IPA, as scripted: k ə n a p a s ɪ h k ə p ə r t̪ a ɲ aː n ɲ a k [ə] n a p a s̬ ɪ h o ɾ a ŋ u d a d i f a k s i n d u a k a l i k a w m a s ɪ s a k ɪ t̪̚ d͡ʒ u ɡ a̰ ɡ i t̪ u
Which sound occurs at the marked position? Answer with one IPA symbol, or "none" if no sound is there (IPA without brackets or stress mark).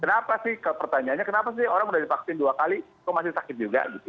ə